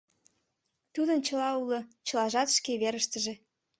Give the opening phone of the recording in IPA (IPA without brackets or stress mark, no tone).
t̪